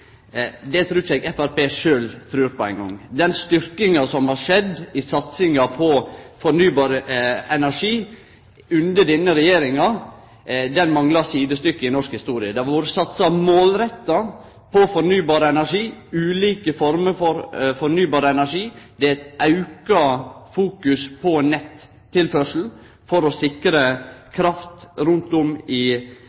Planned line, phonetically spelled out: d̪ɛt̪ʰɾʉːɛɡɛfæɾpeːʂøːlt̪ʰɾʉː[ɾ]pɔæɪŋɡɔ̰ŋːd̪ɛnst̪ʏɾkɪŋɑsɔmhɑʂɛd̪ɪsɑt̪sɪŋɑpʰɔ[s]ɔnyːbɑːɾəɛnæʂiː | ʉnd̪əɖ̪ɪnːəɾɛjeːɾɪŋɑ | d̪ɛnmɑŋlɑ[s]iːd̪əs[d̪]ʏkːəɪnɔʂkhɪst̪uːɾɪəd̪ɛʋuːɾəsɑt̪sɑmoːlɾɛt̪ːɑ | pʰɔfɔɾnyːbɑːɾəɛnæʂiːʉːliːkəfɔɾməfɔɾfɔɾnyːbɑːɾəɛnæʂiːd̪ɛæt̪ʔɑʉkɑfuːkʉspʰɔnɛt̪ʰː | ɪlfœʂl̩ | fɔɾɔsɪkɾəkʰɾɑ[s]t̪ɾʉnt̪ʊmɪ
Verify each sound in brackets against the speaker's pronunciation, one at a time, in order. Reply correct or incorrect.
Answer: correct, incorrect: f, correct, incorrect: t̪, incorrect: f

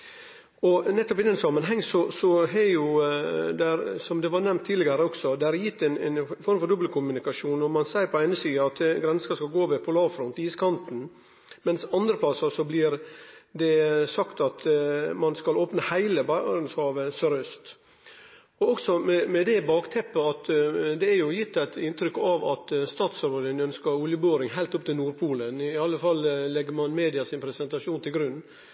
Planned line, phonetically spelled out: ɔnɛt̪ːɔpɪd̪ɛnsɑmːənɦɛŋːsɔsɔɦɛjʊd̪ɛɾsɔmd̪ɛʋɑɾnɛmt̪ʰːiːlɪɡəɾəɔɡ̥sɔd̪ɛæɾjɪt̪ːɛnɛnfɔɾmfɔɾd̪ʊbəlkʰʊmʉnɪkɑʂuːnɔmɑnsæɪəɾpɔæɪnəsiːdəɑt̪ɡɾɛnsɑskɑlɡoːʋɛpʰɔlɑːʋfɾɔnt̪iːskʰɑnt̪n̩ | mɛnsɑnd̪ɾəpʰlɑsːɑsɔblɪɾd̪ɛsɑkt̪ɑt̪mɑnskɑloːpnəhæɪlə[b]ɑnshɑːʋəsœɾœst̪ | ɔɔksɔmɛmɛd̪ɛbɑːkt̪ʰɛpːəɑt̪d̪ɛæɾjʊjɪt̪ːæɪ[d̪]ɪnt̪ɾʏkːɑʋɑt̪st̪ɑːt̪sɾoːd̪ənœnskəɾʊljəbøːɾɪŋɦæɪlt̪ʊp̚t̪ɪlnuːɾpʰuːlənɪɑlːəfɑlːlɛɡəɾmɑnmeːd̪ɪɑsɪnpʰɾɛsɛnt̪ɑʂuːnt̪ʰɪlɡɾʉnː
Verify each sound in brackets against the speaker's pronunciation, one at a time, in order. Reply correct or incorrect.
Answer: correct, incorrect: t̪

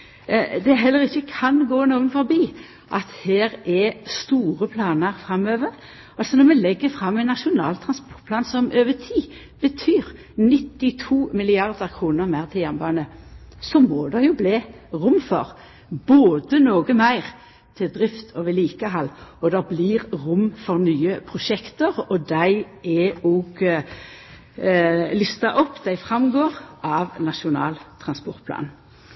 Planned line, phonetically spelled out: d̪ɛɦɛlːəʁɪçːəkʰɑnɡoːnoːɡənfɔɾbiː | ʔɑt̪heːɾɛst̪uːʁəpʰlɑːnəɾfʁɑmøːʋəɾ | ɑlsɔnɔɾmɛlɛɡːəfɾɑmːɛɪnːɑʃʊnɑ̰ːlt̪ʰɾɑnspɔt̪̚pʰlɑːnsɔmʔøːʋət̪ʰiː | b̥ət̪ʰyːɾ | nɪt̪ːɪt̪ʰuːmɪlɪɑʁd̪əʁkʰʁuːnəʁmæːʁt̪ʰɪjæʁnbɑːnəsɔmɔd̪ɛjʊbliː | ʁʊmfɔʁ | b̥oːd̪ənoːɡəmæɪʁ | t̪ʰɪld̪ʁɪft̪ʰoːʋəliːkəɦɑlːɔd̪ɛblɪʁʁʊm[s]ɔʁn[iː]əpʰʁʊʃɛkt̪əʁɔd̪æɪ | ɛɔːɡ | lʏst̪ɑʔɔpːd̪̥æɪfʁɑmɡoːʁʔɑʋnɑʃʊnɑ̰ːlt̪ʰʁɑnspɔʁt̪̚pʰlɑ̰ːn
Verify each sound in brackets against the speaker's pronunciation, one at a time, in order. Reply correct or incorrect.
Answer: incorrect: f, incorrect: yː

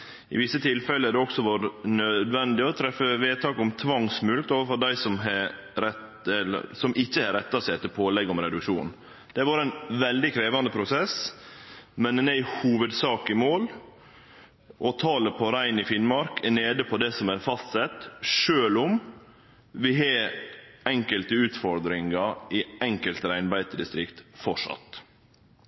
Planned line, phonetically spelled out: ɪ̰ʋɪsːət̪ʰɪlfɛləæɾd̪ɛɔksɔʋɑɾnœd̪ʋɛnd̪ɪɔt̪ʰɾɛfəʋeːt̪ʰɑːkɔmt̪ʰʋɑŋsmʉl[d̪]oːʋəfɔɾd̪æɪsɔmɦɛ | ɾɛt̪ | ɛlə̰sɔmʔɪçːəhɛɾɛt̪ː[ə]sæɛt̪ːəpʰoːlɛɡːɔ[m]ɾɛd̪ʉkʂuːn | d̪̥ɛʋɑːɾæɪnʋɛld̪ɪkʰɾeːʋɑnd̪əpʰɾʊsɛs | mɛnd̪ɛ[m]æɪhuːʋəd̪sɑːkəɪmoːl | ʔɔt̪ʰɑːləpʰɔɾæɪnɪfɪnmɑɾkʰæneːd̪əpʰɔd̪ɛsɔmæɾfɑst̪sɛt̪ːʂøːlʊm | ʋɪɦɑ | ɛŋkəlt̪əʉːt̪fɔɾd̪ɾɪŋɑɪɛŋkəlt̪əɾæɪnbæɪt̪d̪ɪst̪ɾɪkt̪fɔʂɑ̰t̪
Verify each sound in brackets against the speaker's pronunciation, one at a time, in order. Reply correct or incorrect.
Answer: incorrect: t̪, incorrect: ɑ, correct, incorrect: n

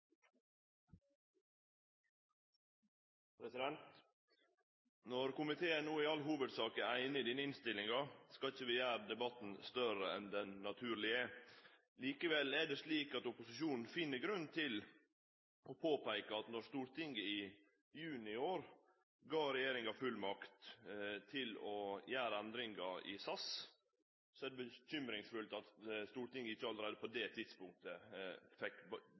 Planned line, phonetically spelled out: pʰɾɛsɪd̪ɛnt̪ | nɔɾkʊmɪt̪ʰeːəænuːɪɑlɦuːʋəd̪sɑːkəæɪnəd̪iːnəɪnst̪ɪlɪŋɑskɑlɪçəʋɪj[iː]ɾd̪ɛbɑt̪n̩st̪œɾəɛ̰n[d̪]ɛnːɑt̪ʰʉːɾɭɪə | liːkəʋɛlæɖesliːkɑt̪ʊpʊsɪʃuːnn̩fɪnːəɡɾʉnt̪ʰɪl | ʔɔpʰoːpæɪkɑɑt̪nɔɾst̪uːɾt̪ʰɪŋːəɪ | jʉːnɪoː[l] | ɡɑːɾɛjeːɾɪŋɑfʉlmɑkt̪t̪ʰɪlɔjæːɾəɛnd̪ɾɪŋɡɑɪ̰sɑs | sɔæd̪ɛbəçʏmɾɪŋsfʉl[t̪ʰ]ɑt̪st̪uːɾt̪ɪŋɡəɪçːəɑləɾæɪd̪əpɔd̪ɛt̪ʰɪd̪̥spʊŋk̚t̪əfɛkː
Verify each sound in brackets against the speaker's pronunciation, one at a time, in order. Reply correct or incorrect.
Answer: incorrect: æː, correct, incorrect: ɾ, incorrect: t̪

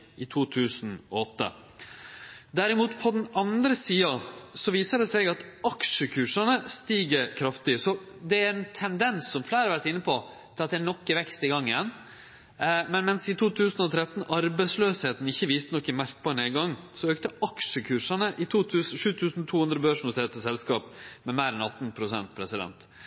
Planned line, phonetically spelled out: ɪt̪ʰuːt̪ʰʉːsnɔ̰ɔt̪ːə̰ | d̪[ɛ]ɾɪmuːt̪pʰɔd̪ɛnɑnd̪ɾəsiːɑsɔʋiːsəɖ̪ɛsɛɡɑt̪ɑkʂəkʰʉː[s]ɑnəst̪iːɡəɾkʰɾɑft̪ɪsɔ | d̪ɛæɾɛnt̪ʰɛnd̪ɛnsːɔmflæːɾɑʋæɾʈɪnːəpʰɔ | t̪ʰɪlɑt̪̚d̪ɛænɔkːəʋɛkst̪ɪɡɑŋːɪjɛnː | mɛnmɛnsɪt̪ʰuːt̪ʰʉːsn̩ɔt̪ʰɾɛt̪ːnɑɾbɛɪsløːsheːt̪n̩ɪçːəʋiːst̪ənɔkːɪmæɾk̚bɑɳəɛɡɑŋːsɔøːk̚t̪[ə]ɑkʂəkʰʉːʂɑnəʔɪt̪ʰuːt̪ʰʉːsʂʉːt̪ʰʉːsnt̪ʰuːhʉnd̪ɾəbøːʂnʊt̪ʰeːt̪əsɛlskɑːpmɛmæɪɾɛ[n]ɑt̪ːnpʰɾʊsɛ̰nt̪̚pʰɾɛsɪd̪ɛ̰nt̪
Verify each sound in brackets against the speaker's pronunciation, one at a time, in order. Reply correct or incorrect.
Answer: incorrect: æ, incorrect: ʂ, correct, correct

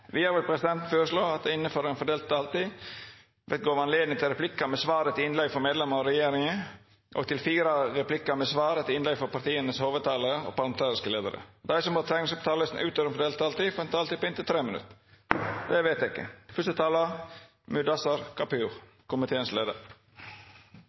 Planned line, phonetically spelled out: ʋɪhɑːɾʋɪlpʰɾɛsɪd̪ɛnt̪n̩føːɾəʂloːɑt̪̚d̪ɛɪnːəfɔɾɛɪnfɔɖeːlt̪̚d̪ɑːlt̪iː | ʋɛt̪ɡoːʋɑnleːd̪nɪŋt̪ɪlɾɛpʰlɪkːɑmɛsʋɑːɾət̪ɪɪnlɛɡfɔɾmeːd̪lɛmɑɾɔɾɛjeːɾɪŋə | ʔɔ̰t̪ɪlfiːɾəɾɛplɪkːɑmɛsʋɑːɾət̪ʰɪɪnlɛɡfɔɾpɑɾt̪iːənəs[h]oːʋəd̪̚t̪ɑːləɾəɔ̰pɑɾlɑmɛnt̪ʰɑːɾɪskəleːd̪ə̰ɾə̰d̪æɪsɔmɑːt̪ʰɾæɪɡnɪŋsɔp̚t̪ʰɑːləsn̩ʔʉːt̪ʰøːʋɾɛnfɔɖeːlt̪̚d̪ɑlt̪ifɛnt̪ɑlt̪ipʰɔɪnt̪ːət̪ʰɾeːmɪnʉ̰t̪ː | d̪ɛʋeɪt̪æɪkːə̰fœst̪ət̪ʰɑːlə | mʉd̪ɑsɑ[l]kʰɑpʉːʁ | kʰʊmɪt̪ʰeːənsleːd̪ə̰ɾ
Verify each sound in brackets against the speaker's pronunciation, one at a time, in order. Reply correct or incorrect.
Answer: correct, incorrect: ɾ

